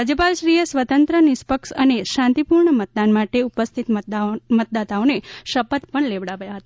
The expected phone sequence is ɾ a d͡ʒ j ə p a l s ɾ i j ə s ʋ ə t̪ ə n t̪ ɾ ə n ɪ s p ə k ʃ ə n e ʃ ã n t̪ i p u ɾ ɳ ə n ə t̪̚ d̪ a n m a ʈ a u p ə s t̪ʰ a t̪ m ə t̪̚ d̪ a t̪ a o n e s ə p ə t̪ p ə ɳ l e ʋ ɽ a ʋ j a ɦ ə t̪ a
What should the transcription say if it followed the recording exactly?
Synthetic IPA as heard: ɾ a d͡ʒ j ə p a l ʃ ɾ i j ə s ʋ ə t̪ ə n t̪ ɾ ə n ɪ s p ə k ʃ ə n e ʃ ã n t̪ i p u ɾ ɳ ə m ə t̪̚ d̪ a n m a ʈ e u p ə s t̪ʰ i t̪ m ə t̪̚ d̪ a t̪ a o n e ʃ ə p ə t̪ p ə ɳ l e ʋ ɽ a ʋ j a ɦ ə t̪ a